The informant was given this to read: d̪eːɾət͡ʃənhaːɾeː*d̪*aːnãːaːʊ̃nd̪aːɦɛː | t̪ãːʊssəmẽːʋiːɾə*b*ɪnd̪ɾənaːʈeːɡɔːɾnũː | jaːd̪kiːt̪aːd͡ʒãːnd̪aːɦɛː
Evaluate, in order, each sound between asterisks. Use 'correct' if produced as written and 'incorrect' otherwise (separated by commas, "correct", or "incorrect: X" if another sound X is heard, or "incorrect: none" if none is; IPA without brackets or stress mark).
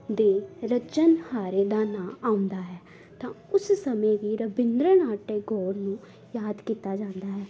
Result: correct, correct